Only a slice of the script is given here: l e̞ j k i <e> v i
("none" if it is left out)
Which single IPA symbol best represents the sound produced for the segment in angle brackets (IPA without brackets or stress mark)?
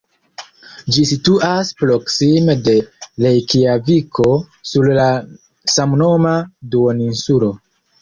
a